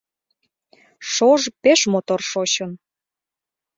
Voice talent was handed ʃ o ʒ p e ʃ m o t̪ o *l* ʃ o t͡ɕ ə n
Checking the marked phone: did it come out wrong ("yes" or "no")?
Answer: yes